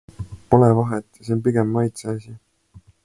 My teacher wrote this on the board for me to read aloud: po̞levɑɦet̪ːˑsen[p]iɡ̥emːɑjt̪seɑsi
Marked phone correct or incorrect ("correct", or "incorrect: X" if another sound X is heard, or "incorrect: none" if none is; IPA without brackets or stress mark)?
correct